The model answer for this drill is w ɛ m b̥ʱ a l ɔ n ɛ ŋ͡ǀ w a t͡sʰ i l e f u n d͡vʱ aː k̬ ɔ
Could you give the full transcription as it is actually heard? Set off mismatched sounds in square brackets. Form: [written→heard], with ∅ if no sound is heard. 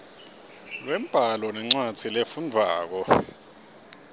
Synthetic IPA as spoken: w ɛ m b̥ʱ a l ɔ n ɛ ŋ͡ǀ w a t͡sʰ i l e f u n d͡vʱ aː k̬ ɔ